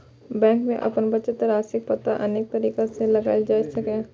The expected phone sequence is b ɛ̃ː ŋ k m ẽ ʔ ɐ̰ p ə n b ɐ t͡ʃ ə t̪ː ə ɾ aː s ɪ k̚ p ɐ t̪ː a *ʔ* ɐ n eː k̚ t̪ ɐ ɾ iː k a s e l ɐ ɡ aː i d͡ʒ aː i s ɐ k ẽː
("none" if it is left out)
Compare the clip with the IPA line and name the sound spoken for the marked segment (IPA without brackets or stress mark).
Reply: ʔ